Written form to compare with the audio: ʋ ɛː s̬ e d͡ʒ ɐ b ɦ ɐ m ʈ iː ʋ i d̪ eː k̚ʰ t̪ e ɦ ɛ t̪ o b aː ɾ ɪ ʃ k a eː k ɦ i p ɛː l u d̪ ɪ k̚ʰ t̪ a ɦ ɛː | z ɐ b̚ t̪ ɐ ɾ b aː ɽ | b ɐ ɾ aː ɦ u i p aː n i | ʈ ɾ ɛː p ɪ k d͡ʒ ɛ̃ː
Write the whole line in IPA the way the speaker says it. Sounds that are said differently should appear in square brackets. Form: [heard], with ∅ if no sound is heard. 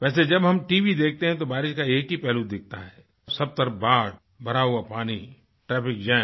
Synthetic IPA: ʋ ɛː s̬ e d͡ʒ ɐ b ɦ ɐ m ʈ iː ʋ i d̪ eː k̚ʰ t̪ e ɦ [ɛ̃] t̪ o b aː ɾ ɪ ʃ k a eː k ɦ i p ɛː l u d̪ ɪ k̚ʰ t̪ a ɦ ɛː | [s] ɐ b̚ t̪ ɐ ɾ b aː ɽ | b ɐ ɾ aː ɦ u [a] p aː n i | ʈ ɾ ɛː p ɪ k d͡ʒ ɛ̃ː